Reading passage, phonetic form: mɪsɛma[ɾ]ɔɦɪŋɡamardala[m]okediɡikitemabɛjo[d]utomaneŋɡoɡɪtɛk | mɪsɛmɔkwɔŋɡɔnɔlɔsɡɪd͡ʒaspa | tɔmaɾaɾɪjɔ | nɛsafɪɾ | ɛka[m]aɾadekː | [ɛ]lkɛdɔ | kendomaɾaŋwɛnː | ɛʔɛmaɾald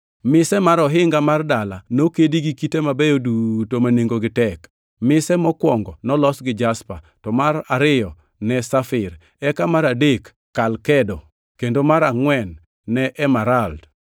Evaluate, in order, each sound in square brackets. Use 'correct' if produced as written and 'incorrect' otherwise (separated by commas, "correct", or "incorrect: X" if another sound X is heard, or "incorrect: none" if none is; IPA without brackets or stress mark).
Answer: correct, incorrect: n, correct, correct, incorrect: a